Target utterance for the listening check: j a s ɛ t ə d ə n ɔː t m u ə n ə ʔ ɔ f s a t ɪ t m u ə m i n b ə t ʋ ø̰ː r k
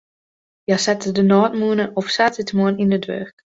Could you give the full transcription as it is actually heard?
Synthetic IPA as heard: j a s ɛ t ə d ə n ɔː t m u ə n ə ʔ ɔ f s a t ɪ t m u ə n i n d ə d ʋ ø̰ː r k